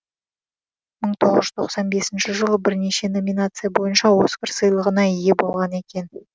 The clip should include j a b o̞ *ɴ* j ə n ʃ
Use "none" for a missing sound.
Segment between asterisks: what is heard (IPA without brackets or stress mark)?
none